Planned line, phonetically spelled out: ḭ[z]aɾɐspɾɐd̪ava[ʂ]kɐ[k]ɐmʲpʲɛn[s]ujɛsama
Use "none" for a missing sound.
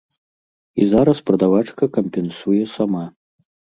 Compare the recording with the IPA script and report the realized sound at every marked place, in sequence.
z, t͡ʂ, k, s

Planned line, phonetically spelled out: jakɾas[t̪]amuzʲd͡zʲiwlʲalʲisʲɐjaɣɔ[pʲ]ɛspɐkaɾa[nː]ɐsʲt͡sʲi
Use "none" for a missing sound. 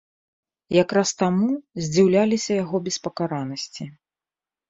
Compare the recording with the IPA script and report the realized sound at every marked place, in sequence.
t̪, bʲ, n

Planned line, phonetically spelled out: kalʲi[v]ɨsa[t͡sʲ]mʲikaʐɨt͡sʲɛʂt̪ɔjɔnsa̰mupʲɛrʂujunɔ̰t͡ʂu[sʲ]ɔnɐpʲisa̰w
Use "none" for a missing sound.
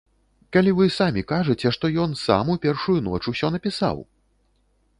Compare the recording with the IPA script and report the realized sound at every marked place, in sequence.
v, none, sʲ

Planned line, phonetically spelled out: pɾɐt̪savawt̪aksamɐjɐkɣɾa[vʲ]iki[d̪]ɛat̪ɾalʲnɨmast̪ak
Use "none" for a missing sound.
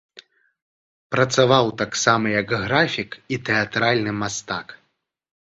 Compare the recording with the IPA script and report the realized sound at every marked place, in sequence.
fʲ, t̪

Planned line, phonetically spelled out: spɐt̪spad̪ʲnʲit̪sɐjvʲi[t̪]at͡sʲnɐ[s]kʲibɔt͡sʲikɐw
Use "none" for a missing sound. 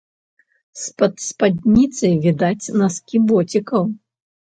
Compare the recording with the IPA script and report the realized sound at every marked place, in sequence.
d̪, s

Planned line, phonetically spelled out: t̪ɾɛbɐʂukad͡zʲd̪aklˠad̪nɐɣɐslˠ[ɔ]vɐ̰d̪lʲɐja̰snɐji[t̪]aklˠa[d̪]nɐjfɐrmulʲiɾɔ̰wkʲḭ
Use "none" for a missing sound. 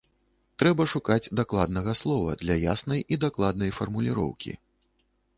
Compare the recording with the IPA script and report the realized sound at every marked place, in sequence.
ɔ, d̪, d̪

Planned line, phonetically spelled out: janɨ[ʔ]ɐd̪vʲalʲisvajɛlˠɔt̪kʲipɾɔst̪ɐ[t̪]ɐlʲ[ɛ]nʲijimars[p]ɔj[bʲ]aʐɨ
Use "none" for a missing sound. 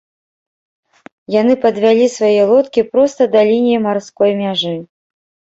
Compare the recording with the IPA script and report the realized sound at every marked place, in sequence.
p, d̪, i, k, mʲ

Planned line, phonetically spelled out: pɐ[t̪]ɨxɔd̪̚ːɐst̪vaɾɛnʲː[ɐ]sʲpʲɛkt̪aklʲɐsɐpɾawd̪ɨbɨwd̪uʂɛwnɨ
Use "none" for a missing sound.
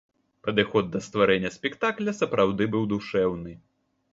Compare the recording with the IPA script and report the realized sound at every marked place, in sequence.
d̪, ɐ

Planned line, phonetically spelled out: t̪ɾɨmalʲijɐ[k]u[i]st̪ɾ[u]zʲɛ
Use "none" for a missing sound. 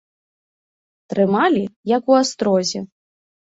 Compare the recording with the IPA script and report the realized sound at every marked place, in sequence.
k, a, ɔ

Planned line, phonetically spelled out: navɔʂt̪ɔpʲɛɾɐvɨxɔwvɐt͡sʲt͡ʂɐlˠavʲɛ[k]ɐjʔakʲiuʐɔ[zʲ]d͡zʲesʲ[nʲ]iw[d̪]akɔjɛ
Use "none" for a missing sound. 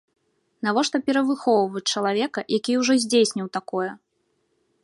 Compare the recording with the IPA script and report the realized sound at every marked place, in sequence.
k, zʲ, nʲ, t̪

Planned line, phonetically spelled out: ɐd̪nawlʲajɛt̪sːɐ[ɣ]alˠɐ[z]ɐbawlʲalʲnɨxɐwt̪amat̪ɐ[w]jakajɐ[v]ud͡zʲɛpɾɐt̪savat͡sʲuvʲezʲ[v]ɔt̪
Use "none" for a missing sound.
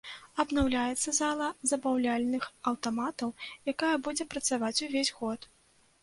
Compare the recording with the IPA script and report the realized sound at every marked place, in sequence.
z, z, w, b, ɣ

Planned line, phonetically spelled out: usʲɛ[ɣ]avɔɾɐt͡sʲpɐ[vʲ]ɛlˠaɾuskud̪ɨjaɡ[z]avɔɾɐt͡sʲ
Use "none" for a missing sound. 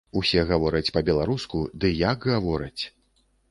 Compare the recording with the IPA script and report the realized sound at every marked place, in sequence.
ɣ, bʲ, ɣ

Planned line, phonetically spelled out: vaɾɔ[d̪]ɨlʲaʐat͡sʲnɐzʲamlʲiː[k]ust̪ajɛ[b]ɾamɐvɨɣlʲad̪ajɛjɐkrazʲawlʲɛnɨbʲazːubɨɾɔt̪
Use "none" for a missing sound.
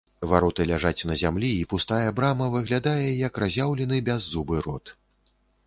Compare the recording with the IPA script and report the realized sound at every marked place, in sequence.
t̪, p, b

